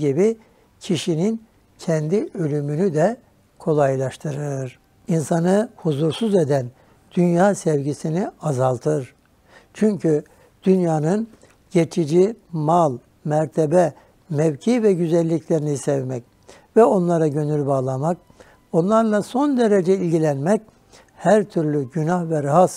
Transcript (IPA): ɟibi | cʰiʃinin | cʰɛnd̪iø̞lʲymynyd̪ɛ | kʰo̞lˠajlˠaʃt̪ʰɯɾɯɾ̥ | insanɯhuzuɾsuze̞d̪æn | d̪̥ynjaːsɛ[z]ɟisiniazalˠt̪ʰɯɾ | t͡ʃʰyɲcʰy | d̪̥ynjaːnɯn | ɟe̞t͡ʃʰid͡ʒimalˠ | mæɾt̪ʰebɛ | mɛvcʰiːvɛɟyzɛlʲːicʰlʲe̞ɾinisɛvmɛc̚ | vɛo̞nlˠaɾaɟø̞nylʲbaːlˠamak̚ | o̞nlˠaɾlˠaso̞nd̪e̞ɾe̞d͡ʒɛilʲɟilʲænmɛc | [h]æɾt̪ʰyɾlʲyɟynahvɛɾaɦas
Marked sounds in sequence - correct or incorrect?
incorrect, correct

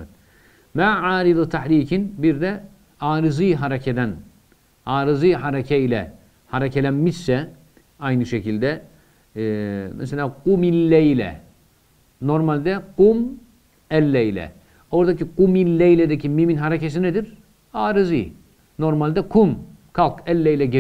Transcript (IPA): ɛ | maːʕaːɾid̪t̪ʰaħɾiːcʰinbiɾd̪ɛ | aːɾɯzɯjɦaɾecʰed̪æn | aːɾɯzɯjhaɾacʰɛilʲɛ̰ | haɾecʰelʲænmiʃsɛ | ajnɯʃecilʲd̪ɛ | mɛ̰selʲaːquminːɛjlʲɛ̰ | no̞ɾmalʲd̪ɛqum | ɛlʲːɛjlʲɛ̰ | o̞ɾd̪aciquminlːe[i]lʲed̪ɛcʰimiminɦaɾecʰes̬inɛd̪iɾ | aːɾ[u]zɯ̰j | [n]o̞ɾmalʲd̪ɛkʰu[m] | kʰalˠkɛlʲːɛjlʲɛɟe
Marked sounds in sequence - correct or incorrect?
incorrect, incorrect, correct, correct

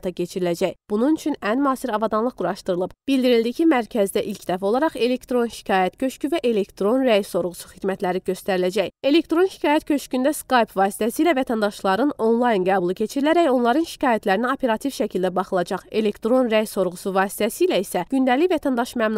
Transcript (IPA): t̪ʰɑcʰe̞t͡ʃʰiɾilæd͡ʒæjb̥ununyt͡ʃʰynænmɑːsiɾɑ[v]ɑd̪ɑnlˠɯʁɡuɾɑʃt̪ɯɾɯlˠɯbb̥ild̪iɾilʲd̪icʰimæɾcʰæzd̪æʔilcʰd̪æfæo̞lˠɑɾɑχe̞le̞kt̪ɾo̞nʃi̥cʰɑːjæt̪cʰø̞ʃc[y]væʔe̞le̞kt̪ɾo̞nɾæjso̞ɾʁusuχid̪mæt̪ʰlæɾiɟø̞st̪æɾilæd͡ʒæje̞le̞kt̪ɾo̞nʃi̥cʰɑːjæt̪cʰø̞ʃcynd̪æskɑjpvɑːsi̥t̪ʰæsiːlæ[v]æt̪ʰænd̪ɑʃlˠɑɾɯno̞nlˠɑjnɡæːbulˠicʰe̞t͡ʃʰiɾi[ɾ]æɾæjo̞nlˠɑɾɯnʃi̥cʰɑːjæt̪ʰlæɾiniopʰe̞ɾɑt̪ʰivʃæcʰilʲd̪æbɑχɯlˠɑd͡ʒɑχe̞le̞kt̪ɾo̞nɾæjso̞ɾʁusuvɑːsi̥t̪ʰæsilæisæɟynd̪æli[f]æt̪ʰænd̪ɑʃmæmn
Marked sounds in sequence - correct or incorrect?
correct, correct, correct, incorrect, incorrect

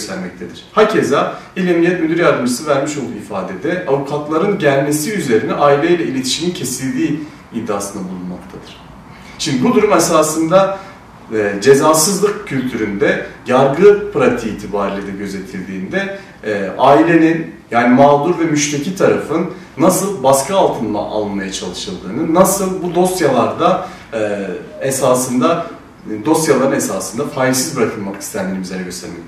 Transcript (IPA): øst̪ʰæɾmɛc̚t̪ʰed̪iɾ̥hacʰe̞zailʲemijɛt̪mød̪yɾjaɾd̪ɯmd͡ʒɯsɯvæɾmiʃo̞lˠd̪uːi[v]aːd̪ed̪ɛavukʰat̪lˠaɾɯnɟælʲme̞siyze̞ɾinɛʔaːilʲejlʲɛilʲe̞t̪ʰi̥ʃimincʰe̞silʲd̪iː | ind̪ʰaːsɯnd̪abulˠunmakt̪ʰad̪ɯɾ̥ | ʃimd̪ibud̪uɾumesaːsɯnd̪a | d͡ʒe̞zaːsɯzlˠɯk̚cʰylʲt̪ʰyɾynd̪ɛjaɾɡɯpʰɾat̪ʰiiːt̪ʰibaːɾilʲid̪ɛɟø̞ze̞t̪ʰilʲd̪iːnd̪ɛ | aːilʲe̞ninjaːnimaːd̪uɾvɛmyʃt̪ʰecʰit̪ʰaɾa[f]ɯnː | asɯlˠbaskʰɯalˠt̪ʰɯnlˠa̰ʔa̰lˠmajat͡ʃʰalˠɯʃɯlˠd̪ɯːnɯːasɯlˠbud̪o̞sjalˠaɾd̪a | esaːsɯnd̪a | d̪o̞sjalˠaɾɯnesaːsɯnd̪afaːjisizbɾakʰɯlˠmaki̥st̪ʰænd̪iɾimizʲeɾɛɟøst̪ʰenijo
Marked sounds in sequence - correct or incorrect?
incorrect, correct

